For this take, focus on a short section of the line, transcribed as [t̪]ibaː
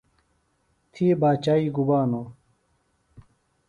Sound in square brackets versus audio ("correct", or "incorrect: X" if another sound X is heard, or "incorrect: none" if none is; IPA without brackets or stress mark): incorrect: t̪ʰ